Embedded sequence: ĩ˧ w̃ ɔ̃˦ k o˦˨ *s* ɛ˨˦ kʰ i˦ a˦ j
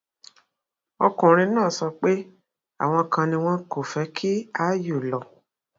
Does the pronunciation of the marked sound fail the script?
yes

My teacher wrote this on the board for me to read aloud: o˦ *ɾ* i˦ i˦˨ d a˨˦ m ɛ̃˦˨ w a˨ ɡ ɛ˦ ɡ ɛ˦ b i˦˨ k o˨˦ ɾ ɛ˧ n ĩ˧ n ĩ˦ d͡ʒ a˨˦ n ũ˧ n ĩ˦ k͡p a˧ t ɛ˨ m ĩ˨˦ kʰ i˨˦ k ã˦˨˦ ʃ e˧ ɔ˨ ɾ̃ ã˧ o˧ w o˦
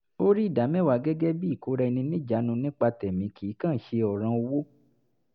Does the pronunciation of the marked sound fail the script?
no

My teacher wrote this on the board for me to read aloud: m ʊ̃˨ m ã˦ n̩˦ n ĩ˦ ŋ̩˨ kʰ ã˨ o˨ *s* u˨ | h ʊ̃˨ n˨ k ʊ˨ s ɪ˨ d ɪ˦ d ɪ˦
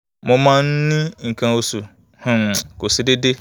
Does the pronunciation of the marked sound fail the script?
no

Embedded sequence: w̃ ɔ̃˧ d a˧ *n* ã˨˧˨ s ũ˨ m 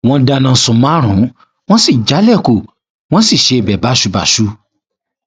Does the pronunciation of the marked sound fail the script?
no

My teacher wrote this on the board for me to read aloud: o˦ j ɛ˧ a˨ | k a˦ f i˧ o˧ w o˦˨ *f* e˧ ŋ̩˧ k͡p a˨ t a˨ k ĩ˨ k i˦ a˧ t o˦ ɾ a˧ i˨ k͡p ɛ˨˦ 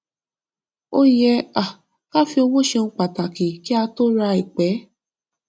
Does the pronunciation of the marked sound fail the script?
yes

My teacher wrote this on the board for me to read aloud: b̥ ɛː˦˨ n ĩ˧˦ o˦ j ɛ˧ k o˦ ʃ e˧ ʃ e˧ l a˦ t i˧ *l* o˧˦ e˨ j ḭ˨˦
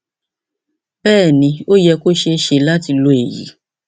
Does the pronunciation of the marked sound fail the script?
no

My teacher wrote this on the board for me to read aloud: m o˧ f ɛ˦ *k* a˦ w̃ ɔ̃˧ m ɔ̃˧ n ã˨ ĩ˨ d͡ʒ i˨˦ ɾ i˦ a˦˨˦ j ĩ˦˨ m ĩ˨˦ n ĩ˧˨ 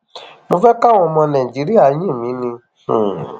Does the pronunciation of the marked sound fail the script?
no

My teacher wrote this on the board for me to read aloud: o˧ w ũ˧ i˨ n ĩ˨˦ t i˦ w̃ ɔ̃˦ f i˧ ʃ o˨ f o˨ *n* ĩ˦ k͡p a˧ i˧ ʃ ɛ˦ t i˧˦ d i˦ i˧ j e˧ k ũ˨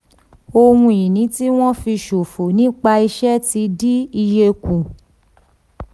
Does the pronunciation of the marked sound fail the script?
no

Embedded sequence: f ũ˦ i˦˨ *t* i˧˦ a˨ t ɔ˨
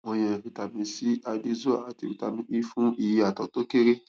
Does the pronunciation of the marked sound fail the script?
yes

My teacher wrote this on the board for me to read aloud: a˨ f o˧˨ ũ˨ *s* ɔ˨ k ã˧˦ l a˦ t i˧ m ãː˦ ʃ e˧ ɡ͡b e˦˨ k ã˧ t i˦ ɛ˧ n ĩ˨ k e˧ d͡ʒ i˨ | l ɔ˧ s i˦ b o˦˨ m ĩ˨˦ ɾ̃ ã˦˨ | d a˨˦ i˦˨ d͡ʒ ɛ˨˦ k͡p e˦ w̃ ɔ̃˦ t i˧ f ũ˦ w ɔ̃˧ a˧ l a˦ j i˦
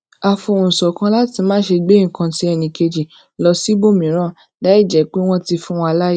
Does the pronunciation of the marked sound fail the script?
no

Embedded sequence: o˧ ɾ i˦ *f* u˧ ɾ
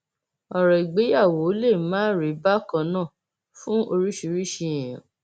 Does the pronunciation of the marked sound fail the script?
yes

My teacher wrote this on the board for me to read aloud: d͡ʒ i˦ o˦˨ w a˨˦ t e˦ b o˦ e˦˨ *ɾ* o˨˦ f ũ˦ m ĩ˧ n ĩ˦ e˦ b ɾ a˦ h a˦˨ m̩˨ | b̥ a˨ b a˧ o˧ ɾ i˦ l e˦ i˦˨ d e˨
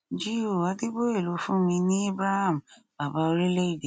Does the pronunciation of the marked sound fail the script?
yes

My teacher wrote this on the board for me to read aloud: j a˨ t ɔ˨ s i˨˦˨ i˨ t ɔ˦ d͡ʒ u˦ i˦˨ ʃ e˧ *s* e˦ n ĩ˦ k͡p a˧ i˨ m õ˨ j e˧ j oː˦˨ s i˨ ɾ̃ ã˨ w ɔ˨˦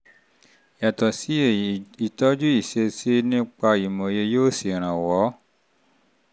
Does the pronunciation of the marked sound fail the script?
no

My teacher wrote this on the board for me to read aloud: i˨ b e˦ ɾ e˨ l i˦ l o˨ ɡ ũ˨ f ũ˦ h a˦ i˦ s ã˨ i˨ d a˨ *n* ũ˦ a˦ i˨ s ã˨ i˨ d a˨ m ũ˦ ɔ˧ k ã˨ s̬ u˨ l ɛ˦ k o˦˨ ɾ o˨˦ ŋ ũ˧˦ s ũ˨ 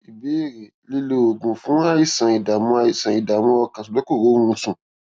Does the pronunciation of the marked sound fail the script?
yes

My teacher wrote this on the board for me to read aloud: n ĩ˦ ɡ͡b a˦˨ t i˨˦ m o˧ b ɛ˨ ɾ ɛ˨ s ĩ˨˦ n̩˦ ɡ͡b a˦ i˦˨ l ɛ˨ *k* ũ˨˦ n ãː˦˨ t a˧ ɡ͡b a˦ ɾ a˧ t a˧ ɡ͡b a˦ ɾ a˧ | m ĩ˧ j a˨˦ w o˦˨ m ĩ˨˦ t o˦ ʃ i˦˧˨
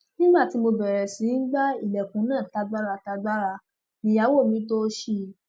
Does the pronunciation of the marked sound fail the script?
no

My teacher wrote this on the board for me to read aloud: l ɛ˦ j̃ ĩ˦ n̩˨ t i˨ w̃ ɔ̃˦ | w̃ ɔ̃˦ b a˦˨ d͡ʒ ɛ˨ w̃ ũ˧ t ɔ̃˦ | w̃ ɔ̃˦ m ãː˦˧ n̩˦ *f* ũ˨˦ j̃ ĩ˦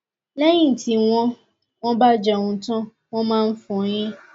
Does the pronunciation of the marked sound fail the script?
no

